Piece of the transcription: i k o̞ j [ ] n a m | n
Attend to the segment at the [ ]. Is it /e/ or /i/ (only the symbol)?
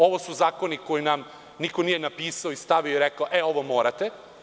i